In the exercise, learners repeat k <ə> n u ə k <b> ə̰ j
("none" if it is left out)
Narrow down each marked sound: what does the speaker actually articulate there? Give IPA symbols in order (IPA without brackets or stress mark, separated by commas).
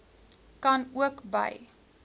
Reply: ɐ, b